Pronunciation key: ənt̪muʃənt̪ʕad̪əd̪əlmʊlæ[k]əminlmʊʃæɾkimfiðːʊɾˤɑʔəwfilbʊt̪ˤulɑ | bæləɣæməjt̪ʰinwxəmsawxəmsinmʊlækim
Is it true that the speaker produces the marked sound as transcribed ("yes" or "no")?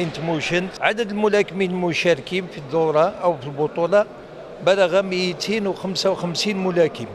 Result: yes